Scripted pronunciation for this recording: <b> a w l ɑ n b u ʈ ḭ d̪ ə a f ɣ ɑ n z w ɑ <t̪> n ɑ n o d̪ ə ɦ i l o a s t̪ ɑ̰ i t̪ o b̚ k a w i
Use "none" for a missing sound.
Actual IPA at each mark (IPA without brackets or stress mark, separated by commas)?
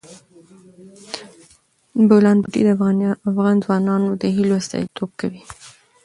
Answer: b, none